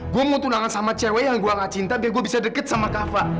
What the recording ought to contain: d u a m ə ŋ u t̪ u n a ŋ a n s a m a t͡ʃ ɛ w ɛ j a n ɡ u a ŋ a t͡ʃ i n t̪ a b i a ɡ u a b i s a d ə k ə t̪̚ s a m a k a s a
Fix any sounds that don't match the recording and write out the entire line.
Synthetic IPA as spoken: ɡ u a m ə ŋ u t̪ u n a ŋ a n s a m a t͡ʃ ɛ w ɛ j a ŋ ɡ u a ŋ a t͡ʃ i n t̪ a b i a ɡ u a b i s a d ə k ə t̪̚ s a m a k a f a